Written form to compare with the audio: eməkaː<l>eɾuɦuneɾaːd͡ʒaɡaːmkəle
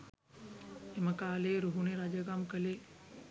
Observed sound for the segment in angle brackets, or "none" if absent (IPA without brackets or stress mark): l